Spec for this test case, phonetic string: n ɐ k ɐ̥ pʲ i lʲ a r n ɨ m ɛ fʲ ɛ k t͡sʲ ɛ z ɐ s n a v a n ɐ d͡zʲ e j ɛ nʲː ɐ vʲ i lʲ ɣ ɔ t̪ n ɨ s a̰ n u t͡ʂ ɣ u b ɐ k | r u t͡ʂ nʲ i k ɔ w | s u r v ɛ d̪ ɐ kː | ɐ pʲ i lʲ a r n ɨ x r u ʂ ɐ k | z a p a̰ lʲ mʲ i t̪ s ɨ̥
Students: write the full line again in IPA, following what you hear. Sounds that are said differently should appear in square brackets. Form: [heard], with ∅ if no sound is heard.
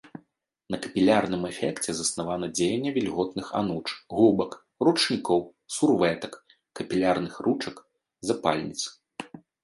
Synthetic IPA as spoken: n ɐ k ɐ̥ pʲ i lʲ a r n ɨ m ɛ fʲ ɛ k t͡sʲ ɛ z ɐ s n a v a n ɐ d͡zʲ e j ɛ nʲː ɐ vʲ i lʲ ɣ ɔ t̪ n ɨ [x] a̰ n u t͡ʂ ɣ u b ɐ k | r u t͡ʂ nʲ i k ɔ w | s u r v ɛ [t̪] ɐ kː | ɐ pʲ i lʲ a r n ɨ x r u [t͡ʂ] ɐ k | z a p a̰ lʲ [nʲ] i t̪ s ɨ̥